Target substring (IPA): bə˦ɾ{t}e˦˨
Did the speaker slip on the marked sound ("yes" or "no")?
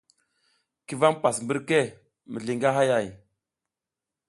yes